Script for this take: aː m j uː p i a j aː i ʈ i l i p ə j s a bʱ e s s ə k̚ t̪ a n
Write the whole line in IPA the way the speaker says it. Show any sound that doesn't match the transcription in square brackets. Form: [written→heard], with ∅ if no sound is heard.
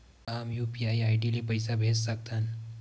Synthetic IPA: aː m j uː p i a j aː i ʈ i l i p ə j s a bʱ e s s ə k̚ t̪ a n